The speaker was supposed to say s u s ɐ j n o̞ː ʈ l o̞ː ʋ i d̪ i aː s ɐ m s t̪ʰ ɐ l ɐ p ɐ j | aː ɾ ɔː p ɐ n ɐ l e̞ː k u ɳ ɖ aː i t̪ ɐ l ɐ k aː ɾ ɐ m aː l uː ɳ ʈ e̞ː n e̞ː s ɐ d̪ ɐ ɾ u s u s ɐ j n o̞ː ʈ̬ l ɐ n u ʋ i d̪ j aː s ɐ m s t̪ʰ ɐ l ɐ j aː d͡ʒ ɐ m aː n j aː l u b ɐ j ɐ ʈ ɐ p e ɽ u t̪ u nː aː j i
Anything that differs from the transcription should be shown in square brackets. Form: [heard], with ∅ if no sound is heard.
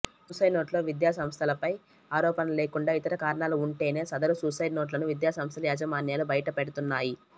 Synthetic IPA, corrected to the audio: s u s ɐ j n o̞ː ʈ l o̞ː ʋ i d̪ [j] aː s ɐ m s t̪ʰ ɐ l ɐ p ɐ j | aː ɾ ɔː p ɐ n ɐ l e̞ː k u ɳ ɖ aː i t̪ ɐ [ɾ] ɐ k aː ɾ ɐ [ɳ] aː l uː ɳ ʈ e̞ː n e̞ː s ɐ d̪ ɐ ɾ u s u s ɐ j n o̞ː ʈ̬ l ɐ n u ʋ i d̪ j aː s ɐ m s t̪ʰ ɐ l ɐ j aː d͡ʒ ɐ m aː n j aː l u b ɐ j ɐ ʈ ɐ p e ɽ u t̪ u nː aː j i